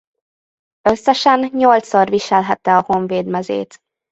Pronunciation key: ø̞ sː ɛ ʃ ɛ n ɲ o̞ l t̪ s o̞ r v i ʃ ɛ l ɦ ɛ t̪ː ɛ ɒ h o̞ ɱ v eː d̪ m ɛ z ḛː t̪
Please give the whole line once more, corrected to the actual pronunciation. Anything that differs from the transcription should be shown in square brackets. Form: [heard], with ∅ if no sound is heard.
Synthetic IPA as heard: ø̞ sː ɛ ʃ ɛ n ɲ o̞ l t̪ s o̞ r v i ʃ ɛ l ɦ ɛ t̪ː ɛ ɒ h o̞ ɱ v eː d̪ m ɛ z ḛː t̪